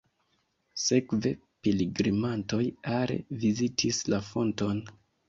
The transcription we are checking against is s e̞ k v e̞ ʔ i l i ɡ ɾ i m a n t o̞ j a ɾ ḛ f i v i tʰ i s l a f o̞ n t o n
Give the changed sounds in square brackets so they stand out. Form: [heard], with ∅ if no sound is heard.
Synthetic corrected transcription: s e̞ k v e̞ [p] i l i ɡ ɾ i m a n t o̞ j a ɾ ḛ [v] i [z] i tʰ i s l a f o̞ n t o n